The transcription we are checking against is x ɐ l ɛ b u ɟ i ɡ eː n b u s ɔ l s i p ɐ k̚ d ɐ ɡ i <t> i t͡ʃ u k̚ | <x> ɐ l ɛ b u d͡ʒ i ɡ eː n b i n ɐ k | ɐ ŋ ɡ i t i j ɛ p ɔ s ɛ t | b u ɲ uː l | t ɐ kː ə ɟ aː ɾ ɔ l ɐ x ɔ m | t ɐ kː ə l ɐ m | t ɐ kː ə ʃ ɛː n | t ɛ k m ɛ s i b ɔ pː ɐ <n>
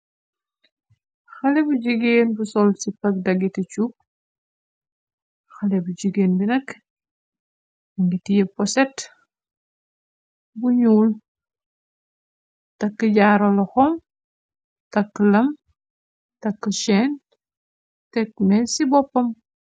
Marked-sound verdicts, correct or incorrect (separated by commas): correct, correct, incorrect